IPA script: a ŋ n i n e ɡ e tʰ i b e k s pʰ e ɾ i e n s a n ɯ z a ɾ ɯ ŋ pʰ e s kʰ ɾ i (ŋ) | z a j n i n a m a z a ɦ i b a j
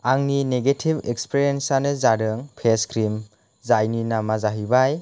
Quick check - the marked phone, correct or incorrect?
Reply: incorrect